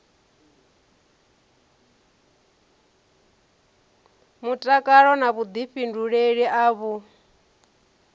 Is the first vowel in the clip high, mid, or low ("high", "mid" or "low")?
high